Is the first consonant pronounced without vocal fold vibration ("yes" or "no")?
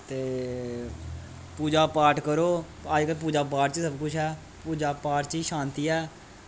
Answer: yes